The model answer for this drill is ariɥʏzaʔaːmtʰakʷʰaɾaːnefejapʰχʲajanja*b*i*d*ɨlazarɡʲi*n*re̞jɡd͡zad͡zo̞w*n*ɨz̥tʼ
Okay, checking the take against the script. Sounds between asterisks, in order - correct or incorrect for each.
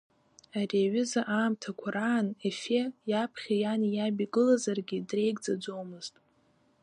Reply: correct, incorrect: ɡ, incorrect: d, incorrect: m

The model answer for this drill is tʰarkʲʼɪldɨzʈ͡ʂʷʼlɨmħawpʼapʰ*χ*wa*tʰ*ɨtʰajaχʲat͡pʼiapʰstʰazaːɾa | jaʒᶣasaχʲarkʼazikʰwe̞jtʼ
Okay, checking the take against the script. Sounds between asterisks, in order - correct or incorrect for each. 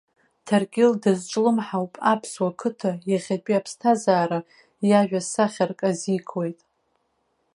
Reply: incorrect: s, incorrect: kʰ

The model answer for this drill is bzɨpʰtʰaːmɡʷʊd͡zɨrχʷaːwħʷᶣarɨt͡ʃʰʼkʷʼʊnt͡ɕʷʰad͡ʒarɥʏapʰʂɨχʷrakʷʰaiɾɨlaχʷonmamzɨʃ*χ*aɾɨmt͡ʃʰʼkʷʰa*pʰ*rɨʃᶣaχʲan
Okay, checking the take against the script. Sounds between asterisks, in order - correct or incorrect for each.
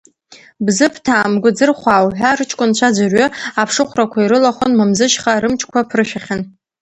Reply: correct, correct

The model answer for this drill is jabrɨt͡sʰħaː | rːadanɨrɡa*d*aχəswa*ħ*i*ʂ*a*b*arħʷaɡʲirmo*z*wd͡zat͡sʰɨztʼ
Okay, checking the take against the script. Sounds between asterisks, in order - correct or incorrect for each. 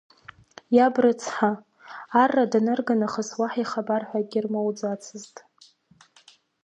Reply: incorrect: n, correct, incorrect: χ, correct, incorrect: none

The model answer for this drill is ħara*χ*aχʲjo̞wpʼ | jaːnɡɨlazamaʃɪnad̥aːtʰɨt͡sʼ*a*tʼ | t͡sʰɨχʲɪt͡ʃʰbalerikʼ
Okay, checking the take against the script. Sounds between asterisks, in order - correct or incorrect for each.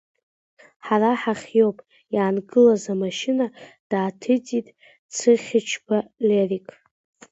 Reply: incorrect: ħ, incorrect: i

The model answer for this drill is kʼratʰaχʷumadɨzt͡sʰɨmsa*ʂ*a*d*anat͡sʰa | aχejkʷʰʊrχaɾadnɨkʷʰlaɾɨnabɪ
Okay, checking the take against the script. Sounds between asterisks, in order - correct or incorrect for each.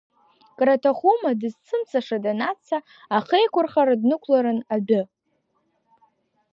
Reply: correct, correct

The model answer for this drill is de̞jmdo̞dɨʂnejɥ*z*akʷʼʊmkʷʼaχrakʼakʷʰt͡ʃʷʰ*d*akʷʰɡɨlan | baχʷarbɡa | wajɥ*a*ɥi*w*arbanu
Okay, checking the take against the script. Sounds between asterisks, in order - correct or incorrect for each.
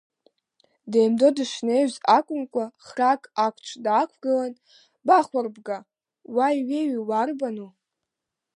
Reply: correct, correct, incorrect: e, correct

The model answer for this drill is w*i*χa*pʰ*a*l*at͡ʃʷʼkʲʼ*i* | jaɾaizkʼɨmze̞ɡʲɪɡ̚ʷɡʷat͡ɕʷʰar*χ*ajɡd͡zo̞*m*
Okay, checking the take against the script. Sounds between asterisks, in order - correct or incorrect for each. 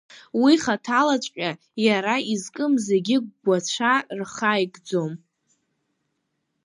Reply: correct, incorrect: tʰ, correct, incorrect: a, correct, correct

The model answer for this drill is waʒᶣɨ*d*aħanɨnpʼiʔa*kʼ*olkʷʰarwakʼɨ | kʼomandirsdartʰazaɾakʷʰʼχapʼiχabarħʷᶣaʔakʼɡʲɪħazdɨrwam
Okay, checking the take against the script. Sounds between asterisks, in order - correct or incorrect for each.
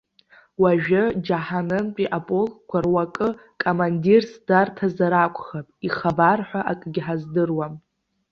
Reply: incorrect: d͡ʒ, incorrect: pʼ

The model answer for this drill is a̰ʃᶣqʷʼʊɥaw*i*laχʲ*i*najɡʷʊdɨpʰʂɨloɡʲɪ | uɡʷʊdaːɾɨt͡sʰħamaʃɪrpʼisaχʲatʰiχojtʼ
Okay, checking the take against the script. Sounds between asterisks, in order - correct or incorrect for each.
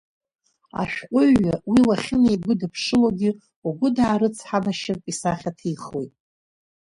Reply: correct, incorrect: ɪ

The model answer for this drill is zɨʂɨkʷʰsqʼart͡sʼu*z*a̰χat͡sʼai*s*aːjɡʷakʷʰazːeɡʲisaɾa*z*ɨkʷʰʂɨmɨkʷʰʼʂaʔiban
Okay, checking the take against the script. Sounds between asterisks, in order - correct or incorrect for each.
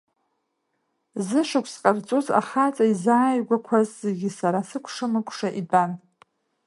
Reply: correct, incorrect: z, incorrect: s

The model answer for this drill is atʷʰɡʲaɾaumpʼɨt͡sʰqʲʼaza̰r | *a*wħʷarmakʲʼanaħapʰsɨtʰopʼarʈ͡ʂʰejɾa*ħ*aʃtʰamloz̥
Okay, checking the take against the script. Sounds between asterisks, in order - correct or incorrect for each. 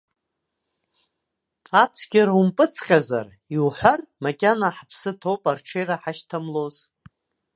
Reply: incorrect: i, correct

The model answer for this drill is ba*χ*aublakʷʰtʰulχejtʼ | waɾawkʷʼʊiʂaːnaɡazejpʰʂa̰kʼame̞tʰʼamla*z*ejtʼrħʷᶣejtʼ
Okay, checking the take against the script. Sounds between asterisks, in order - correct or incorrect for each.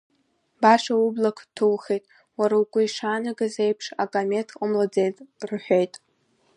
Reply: incorrect: ʂ, incorrect: d͡z

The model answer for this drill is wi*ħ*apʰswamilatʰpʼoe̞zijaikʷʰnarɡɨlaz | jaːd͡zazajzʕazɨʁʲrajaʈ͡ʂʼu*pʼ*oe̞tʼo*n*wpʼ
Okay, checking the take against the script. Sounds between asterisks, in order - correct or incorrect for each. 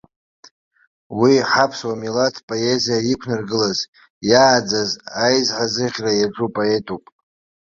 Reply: correct, correct, incorrect: none

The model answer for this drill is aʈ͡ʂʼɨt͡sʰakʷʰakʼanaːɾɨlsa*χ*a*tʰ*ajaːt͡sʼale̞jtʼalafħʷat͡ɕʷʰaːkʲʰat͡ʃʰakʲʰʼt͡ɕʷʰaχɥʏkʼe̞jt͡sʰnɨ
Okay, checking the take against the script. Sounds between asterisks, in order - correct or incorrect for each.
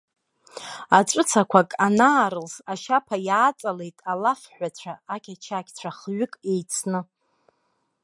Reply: incorrect: ʃ, incorrect: pʰ

